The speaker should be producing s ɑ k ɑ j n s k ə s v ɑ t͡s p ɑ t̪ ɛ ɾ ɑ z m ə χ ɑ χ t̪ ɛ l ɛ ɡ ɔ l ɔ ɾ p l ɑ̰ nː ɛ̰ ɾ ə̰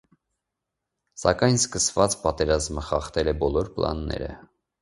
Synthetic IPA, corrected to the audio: s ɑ k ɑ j n s k ə s v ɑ t͡s p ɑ t̪ ɛ ɾ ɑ z m ə χ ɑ χ t̪ ɛ l ɛ b ɔ l ɔ ɾ p l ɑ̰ nː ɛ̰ ɾ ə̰